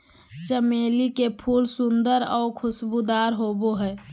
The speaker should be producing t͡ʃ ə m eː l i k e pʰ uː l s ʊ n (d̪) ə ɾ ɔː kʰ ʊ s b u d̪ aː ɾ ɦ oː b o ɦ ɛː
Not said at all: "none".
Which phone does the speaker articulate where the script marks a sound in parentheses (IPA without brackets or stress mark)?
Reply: d̪